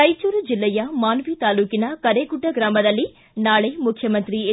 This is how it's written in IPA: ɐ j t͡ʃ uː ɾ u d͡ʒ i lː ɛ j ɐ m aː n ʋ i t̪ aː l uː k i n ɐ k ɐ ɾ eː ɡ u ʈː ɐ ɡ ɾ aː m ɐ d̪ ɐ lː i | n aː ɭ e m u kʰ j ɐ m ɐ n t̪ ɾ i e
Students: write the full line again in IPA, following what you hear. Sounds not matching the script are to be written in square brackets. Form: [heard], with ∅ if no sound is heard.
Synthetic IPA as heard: ɐ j t͡ʃ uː ɾ u d͡ʒ i lː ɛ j ɐ m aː n ʋ i t̪ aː l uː k i n ɐ k ɐ ɾ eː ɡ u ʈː ɐ ɡ ɾ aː m ɐ d̪ ɐ lː i | n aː ɭ e m u kʰ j ɐ m ɐ n t̪ ɾ i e